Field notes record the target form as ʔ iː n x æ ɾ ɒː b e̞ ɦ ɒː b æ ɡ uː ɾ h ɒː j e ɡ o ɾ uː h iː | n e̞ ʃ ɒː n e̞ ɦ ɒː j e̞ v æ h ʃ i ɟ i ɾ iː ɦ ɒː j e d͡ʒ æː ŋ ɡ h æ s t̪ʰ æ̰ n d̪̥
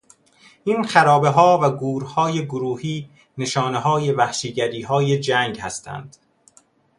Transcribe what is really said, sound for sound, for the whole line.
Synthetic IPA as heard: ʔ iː n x æ ɾ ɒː b e̞ ɦ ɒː v æ ɡ uː ɾ h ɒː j e ɡ o ɾ uː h iː | n e̞ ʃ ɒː n e̞ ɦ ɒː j e̞ v æ h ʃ i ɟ æ ɾ iː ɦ ɒː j e d͡ʒ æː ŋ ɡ h æ s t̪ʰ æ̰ n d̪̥